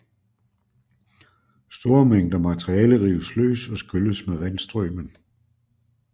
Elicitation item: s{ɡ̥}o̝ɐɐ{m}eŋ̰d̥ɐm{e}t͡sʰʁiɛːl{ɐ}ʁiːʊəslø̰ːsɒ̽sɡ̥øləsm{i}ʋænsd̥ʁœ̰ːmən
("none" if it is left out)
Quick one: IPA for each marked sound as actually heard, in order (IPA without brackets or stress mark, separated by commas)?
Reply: d̥, m, æ, ə, e